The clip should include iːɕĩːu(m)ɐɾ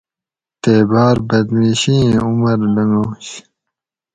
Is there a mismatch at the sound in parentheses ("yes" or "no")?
no